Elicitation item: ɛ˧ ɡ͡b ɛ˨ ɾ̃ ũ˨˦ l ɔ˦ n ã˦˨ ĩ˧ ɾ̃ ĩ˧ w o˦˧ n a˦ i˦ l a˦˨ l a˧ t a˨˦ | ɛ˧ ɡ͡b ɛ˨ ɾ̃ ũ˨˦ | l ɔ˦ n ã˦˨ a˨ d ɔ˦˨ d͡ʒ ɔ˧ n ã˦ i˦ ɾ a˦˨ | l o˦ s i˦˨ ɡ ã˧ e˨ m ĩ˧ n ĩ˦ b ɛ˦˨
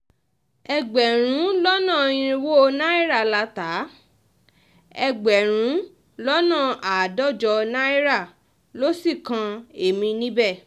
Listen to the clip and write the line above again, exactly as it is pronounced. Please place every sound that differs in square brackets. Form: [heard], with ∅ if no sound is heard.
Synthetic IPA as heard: ɛ˧ ɡ͡b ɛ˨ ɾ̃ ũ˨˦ l ɔ˦ n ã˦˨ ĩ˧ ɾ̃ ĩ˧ w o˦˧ n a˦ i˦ [ɾ] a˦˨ l a˧ t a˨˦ | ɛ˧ ɡ͡b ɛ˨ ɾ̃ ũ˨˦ | l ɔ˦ n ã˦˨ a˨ d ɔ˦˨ d͡ʒ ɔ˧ n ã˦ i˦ ɾ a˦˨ | l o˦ s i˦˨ [k] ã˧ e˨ m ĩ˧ n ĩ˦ b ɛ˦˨